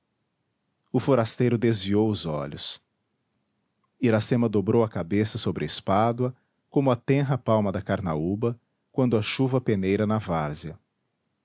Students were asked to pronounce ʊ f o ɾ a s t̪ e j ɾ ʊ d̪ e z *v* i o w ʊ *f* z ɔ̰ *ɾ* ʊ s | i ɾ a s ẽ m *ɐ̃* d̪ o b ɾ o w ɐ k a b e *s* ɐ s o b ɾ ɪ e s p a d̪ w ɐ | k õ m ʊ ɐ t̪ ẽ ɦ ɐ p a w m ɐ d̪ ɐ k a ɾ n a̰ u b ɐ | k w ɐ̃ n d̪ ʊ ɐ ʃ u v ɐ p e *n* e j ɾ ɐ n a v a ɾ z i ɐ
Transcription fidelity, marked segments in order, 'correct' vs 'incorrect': correct, incorrect, incorrect, incorrect, correct, correct

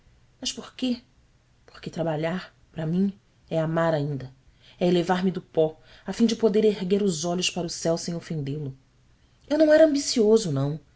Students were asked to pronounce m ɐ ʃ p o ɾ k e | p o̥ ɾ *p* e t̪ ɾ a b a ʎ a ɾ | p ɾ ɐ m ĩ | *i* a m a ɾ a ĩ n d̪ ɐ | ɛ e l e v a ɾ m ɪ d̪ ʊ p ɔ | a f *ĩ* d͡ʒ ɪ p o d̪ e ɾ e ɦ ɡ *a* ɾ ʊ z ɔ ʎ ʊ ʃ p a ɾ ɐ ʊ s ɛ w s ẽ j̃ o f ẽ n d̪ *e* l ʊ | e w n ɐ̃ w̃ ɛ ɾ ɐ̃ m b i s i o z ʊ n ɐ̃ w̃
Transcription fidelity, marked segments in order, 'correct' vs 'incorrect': incorrect, incorrect, correct, incorrect, correct

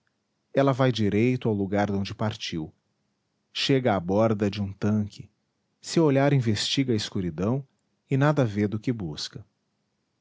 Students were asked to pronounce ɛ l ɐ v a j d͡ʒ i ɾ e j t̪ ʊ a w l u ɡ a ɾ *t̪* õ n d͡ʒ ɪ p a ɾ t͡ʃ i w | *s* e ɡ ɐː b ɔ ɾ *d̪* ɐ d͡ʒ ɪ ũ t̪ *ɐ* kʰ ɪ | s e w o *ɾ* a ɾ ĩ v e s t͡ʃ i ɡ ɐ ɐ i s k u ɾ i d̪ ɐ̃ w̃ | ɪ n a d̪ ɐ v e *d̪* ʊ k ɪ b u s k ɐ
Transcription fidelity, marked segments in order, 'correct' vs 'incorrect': incorrect, incorrect, correct, incorrect, incorrect, correct

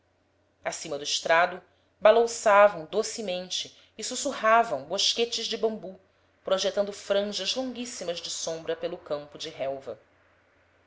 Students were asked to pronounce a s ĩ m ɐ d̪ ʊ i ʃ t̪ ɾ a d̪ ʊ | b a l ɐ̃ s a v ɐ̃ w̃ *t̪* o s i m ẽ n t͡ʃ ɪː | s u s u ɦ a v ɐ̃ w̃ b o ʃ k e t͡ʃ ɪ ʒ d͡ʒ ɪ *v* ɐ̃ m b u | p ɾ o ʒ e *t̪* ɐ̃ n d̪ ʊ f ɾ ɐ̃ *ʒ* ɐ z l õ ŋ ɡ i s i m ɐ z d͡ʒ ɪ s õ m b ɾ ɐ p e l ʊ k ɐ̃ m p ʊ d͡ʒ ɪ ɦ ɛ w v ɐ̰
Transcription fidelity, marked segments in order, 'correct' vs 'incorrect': incorrect, incorrect, correct, correct

